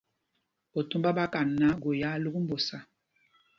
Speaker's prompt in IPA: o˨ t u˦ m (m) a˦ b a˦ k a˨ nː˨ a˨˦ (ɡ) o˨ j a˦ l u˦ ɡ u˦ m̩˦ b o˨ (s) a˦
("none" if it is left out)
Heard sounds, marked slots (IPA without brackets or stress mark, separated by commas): b, ɡ, s